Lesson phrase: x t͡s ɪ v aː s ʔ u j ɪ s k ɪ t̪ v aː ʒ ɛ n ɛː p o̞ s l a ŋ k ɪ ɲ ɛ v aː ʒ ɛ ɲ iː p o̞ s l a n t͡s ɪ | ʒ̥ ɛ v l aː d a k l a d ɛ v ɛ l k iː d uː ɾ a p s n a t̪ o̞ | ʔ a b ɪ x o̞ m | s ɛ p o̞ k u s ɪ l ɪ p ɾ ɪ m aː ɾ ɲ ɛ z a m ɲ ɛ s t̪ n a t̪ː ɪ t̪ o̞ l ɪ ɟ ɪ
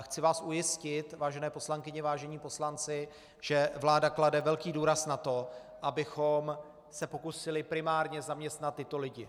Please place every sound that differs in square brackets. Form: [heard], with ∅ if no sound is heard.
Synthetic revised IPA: x t͡s ɪ v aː s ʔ u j ɪ s [c] ɪ t̪ v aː ʒ ɛ n ɛː p o̞ s l a ŋ k ɪ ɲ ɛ v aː ʒ ɛ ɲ iː p o̞ s l a n t͡s ɪ | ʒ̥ ɛ v l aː d a k l a d ɛ v ɛ l k iː d uː ɾ a [∅] s n a t̪ o̞ | ʔ a b ɪ x o̞ m | s ɛ p o̞ k u s ɪ l ɪ p ɾ ɪ m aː ɾ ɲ ɛ z a m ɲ ɛ s t̪ n a t̪ː ɪ t̪ o̞ l ɪ ɟ ɪ